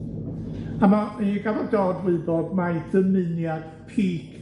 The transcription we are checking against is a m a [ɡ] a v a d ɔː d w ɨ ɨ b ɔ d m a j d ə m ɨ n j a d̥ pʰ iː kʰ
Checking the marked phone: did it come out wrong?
no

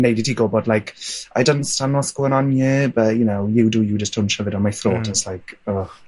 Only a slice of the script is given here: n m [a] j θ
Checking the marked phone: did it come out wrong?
no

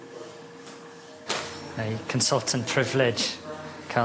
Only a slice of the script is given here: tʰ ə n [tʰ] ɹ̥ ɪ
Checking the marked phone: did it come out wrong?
yes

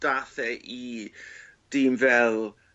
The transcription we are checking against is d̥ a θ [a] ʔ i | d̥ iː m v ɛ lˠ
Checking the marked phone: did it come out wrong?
yes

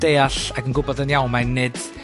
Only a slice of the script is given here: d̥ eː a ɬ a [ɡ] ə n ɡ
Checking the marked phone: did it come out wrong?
no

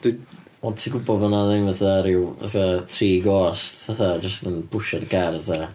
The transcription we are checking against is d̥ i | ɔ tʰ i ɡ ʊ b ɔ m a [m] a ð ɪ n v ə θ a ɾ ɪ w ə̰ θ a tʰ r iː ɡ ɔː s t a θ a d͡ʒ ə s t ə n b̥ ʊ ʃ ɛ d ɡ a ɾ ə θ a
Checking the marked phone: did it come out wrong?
yes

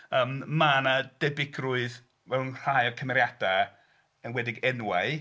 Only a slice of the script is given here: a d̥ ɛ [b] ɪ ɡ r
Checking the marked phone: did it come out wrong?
no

